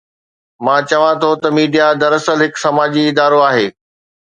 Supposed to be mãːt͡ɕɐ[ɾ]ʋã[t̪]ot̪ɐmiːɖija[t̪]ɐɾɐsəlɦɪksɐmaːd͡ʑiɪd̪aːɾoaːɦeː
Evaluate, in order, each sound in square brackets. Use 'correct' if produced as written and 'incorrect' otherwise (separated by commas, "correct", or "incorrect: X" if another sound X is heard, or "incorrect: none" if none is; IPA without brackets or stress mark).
incorrect: none, incorrect: t̪ʰ, incorrect: d̪